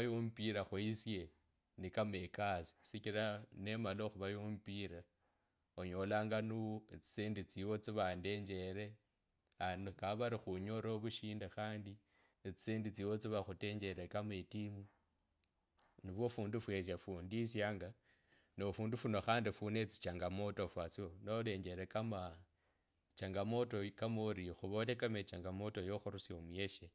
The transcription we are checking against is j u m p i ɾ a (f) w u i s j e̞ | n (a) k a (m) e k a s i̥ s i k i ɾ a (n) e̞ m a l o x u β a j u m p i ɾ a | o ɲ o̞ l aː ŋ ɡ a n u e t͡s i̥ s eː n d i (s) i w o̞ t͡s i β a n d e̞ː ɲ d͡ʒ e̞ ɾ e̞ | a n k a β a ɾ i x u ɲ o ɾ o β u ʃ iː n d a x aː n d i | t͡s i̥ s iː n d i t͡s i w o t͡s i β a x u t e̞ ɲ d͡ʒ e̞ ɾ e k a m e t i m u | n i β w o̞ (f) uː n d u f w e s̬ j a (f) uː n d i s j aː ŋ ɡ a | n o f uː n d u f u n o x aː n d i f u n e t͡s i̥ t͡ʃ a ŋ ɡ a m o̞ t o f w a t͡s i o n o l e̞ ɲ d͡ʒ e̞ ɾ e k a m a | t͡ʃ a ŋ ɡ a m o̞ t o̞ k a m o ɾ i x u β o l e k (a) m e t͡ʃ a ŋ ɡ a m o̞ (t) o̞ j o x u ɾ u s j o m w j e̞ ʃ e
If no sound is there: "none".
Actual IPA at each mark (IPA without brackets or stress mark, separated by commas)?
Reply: x, i, m, n, t͡s, f, f, a, t